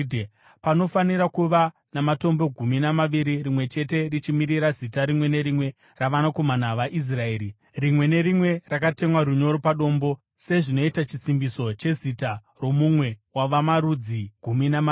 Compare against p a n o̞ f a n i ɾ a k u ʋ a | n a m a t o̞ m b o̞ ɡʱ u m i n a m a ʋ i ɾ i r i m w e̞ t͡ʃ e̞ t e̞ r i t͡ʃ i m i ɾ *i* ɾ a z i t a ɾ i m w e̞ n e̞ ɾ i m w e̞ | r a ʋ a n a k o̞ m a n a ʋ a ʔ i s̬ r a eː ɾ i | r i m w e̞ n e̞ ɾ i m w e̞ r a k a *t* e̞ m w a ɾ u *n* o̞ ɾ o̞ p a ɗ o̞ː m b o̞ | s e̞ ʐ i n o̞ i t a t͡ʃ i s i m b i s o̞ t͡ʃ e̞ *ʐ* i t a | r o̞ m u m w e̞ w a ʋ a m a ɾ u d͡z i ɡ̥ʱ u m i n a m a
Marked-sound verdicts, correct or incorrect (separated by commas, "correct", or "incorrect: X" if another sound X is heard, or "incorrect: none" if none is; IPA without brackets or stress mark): correct, correct, incorrect: ɲ, incorrect: z